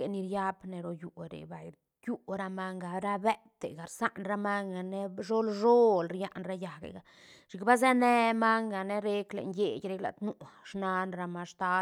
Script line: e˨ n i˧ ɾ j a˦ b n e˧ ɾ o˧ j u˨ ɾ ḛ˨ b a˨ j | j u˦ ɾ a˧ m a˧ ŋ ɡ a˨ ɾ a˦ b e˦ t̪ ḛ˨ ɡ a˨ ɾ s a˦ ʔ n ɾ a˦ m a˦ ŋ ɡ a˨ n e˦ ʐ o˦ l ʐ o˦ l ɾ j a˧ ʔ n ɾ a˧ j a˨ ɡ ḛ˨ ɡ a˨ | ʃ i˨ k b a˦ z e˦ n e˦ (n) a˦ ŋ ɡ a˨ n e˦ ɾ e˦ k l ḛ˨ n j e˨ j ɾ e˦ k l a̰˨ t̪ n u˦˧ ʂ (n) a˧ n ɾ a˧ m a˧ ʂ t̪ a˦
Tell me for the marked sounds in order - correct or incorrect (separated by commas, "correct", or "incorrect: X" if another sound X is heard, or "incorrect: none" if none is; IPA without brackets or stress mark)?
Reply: incorrect: m, correct